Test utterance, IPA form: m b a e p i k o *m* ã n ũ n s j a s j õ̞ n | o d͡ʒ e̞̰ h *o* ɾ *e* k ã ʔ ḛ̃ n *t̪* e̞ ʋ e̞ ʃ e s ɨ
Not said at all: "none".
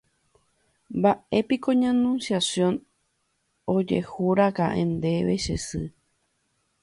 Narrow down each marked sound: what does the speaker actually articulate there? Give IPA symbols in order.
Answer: ɲ, u, a, d̪

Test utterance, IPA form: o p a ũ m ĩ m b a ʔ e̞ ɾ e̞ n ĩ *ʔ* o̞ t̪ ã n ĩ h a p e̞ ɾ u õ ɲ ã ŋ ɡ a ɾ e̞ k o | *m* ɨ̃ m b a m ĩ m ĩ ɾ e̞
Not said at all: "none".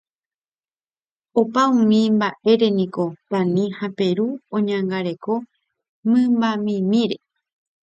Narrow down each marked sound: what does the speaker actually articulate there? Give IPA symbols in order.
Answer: k, m

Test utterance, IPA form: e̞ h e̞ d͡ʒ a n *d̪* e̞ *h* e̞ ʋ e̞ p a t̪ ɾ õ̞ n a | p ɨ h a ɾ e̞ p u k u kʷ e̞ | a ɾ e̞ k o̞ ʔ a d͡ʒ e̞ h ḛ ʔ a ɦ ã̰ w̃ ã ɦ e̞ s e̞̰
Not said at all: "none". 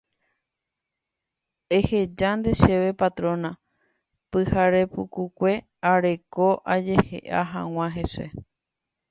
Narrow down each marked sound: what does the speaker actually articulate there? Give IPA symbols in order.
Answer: d̪, ʃ

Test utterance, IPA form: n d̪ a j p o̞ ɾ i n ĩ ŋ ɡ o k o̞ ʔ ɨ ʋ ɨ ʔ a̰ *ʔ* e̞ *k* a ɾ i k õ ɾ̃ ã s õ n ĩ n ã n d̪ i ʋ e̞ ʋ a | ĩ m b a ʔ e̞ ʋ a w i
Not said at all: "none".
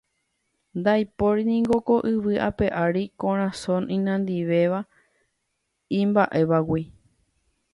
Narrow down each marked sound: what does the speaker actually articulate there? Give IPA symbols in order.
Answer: p, ʔ

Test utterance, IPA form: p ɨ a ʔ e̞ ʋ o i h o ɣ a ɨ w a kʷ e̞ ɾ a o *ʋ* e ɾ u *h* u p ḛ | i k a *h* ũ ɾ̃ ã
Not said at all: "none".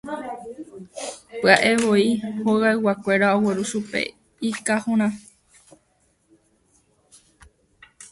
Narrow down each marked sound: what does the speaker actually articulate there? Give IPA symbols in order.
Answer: w, ʃ, h

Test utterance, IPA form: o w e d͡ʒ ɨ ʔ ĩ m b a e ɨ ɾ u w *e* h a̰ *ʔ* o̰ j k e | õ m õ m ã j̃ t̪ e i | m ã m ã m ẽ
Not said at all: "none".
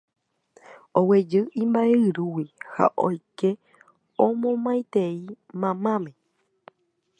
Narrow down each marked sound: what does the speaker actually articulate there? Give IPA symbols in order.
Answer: i, ʔ

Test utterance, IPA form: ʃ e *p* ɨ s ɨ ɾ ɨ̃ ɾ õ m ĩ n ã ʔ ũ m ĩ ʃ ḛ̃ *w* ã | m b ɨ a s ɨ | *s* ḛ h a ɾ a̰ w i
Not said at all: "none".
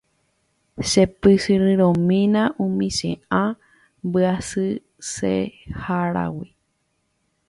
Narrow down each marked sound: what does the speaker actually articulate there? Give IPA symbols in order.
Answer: p, none, s

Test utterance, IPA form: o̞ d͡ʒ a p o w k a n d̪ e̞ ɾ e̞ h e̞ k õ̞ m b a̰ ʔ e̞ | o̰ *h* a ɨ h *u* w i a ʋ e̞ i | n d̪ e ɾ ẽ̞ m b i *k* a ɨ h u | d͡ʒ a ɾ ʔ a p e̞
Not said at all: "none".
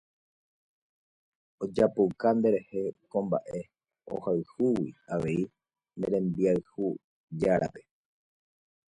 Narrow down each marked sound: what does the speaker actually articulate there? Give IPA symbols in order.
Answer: h, u, none

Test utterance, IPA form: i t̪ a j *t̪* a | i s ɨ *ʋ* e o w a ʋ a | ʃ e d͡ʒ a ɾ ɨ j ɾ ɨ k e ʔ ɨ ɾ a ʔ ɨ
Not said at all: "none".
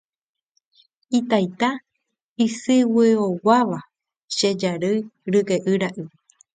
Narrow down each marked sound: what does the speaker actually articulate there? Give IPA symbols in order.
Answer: t̪, w

